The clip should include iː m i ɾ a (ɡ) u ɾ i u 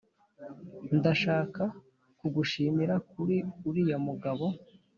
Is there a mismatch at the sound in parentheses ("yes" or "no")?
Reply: yes